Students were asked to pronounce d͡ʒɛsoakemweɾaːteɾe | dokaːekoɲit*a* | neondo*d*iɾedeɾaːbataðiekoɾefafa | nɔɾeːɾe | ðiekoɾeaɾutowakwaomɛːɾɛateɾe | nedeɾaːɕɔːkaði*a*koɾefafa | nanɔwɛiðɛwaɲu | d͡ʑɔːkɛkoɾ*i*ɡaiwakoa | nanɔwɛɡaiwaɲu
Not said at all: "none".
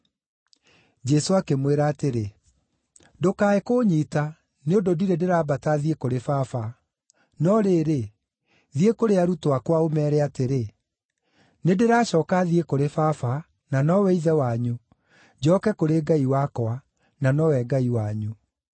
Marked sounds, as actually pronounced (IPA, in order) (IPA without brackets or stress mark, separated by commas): a, d, e, e